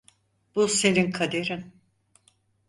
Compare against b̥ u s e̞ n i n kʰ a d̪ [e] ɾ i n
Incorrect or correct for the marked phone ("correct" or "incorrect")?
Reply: correct